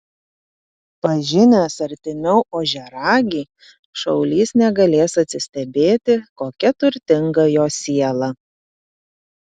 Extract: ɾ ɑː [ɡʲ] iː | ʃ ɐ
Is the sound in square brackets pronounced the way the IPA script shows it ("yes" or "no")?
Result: yes